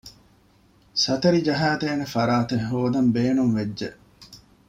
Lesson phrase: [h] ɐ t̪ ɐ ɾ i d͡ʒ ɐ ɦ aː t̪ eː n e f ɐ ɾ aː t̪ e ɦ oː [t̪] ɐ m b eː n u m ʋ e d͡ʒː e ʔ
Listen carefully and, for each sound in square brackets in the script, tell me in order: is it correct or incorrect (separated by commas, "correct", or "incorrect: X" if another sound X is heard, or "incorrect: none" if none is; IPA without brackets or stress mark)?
incorrect: s, incorrect: d̪